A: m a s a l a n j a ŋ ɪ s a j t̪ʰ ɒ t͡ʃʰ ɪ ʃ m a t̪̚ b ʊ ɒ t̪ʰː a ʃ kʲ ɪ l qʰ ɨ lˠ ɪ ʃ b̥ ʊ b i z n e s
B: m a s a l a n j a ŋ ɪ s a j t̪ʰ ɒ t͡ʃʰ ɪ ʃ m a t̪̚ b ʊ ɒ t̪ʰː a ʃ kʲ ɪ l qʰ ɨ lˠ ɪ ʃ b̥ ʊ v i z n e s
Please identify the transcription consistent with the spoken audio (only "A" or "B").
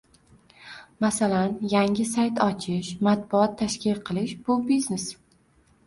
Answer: A